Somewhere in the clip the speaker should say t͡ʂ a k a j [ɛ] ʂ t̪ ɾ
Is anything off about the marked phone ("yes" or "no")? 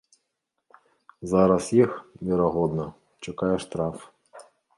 no